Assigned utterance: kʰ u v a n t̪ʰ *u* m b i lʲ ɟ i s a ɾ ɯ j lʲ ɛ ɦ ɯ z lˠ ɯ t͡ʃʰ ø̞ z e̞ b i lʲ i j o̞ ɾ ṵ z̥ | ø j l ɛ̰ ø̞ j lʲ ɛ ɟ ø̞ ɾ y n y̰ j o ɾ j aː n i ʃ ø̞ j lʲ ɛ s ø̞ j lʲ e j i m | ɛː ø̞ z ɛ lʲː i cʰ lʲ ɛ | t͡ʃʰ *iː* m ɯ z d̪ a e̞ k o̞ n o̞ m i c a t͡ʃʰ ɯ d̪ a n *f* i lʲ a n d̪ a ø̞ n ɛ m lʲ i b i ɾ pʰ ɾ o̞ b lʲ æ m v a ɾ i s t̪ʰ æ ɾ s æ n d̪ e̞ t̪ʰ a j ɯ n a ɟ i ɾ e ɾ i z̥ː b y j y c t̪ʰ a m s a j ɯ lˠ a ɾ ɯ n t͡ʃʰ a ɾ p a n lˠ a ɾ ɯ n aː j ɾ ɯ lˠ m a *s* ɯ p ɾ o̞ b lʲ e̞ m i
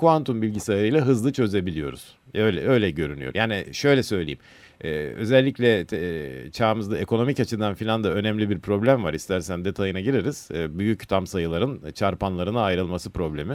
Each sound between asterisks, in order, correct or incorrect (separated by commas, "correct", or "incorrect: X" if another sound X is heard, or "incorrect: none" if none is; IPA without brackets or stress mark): correct, incorrect: aː, correct, correct